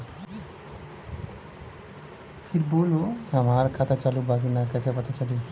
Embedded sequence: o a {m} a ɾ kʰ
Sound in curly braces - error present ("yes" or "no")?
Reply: no